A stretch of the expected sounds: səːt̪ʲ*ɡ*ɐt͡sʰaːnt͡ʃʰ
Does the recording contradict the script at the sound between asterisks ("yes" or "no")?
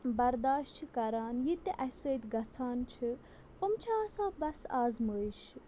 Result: no